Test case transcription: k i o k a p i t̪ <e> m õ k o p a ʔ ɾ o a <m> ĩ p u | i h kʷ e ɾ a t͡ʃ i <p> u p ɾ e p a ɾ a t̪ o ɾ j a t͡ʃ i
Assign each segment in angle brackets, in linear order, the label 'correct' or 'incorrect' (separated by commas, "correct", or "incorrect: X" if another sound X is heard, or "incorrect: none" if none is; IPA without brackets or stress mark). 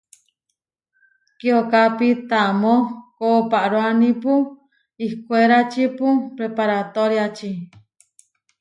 incorrect: a, incorrect: n, correct